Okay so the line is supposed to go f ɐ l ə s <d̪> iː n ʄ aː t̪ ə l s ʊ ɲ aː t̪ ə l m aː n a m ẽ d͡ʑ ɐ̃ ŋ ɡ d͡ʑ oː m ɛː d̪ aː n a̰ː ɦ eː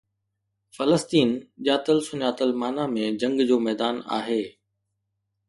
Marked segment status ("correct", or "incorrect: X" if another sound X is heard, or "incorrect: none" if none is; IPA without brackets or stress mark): incorrect: t̪